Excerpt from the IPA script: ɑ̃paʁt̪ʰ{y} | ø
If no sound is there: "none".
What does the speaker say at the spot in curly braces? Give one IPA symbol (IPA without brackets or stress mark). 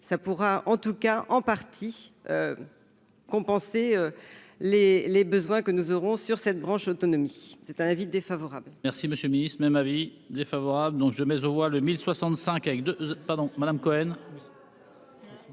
i